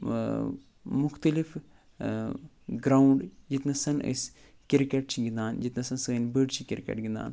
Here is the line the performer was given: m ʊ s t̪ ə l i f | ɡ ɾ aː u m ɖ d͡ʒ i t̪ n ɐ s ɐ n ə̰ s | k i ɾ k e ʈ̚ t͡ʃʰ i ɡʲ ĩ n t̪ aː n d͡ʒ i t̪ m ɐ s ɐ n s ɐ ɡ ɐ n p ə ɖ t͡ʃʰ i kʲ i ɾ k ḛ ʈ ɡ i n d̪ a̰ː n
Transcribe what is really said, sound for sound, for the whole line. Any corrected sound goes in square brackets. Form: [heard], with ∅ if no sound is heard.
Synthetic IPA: m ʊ [x] t̪ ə l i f | ɡ ɾ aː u [ɳ] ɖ d͡ʒ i t̪ n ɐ s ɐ n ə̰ s | k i ɾ k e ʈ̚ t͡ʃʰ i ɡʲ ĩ n [d̪] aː n d͡ʒ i t̪ [n] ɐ s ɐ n s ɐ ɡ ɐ n [b] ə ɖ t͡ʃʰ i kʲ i ɾ k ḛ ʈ ɡ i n d̪ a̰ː n

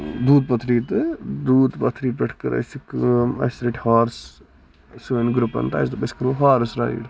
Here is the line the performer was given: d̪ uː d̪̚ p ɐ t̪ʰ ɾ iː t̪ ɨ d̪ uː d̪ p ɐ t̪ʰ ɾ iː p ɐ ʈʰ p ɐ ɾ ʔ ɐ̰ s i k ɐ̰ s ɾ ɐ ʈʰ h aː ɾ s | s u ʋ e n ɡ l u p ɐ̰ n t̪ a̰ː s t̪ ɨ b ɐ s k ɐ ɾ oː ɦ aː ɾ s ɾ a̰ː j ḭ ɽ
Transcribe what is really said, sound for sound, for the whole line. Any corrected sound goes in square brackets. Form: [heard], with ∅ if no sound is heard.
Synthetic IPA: d̪ uː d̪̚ p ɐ t̪ʰ ɾ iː t̪ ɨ d̪ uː d̪ p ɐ t̪ʰ ɾ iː p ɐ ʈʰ [k] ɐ ɾ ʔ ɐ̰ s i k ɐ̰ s ɾ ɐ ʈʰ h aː ɾ s | s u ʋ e n ɡ [ɾ] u p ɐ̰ n t̪ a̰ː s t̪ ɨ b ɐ s k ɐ ɾ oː ɦ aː ɾ s ɾ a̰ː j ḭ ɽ

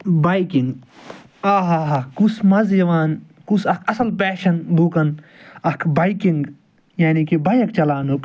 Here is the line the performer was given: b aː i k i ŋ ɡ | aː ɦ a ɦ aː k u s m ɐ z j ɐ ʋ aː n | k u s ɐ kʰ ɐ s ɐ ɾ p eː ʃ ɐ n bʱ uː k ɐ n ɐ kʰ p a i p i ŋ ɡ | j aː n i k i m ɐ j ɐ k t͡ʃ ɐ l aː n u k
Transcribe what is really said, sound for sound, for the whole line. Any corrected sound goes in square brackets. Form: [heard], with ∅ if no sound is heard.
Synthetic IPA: b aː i k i ŋ ɡ | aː ɦ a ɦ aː k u s m ɐ z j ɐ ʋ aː n | k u s ɐ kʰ ɐ s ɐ [l] p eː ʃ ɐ n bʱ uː k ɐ n ɐ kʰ [b] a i [k] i ŋ ɡ | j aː n i k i [b] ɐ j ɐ k t͡ʃ ɐ l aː n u k

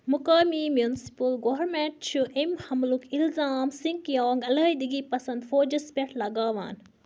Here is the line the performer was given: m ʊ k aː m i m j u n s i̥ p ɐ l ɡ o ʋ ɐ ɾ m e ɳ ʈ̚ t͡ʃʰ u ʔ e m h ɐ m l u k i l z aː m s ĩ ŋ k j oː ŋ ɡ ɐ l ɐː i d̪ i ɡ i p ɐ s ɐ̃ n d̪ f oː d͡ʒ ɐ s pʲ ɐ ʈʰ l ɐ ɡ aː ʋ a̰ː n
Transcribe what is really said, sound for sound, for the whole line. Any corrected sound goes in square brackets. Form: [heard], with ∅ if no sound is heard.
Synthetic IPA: m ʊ k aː m i m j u n s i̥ p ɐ l ɡ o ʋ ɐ ɾ m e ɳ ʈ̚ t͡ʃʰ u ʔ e m h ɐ m l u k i l z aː m s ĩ ŋ k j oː ŋ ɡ ɐ l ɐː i d̪ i ɡ i p ɐ s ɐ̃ n d̪ f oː d͡ʒ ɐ s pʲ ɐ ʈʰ l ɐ ɡ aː ʋ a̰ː n

